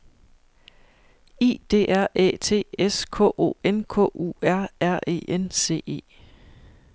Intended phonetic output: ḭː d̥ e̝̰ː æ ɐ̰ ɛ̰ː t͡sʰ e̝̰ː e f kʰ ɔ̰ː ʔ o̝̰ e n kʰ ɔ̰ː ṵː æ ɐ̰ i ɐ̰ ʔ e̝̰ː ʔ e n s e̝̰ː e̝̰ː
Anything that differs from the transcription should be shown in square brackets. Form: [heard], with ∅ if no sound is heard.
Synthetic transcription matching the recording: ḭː d̥ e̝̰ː æ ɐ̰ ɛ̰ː t͡sʰ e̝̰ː e [s] kʰ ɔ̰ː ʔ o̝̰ e n kʰ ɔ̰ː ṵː æ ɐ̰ [æ] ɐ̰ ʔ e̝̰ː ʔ e n s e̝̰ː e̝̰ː